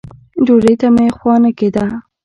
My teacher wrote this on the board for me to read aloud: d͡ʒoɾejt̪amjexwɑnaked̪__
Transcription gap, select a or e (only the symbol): a